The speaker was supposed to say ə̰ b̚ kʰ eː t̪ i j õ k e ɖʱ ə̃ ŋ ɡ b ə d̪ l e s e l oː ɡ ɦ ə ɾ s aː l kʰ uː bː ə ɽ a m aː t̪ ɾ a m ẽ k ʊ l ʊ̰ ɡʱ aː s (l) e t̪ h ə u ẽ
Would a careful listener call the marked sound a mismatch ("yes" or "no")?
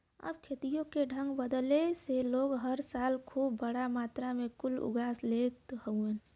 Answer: no